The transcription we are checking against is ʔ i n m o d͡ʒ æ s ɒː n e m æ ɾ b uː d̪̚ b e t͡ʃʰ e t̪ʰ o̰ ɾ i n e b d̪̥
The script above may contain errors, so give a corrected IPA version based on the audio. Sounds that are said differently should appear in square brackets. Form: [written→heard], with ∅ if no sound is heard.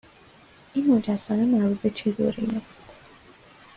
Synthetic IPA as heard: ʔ i n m o d͡ʒ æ s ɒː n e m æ ɾ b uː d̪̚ b e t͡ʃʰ e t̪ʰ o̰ ɾ i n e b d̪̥